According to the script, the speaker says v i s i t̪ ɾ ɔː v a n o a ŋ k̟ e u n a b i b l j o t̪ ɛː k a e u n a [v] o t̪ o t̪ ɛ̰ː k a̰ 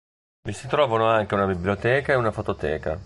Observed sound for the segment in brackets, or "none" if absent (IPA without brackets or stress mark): f